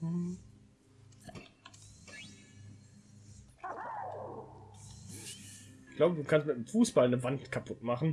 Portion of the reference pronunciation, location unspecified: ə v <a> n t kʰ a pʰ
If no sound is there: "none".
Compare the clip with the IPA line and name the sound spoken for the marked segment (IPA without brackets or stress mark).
a